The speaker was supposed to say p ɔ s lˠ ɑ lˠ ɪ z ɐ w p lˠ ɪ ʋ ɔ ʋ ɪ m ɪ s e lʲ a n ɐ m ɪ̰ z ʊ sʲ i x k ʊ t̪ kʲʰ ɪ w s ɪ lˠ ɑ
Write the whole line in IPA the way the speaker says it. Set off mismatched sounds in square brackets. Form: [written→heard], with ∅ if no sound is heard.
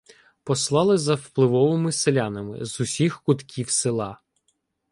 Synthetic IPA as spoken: p ɔ s lˠ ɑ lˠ ɪ z ɐ w p lˠ ɪ ʋ ɔ ʋ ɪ m ɪ s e lʲ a n ɐ m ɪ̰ z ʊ sʲ i x k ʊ t̪ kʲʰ [ɪ→i] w s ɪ lˠ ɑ